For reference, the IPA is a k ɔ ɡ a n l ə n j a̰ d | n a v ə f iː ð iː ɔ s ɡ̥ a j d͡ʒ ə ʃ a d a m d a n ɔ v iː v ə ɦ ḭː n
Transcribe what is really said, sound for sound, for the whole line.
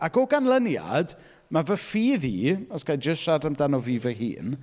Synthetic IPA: a k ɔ ɡ a n l ə n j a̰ d | m a v ə f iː ð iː ɔ s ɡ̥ a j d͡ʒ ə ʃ a d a m d a n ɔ v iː v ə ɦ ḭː n